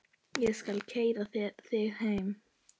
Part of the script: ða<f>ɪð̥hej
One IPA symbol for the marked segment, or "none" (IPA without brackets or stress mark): θ